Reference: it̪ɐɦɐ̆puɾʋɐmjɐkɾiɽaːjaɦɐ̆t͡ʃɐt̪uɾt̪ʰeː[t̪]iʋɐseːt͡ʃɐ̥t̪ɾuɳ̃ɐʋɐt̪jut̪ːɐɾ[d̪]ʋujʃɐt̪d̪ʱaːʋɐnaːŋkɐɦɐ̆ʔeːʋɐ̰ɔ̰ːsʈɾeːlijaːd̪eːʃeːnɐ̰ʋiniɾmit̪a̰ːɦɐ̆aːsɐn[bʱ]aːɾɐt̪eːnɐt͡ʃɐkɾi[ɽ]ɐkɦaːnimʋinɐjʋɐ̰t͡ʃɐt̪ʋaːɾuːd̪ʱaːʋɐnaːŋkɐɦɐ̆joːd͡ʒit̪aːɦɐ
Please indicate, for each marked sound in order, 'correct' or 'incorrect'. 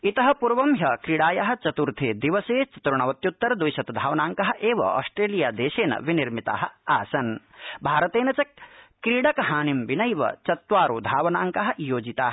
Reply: incorrect, correct, correct, correct

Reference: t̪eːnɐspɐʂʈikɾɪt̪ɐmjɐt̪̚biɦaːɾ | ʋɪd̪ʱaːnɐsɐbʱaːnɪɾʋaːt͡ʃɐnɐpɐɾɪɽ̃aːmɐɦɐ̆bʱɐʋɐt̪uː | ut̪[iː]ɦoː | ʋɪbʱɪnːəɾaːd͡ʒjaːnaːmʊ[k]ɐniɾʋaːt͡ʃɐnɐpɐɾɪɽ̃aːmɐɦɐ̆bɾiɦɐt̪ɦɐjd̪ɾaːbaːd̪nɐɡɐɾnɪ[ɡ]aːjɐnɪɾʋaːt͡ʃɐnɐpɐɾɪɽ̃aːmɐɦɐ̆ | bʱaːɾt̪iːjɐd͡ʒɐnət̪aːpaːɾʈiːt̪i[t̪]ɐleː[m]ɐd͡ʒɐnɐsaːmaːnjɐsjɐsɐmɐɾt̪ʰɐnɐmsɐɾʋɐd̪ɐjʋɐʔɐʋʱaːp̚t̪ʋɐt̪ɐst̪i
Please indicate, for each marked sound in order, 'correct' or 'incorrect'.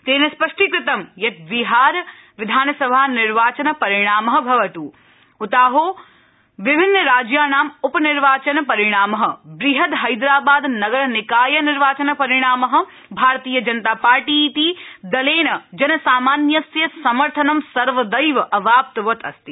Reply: incorrect, incorrect, incorrect, incorrect, incorrect

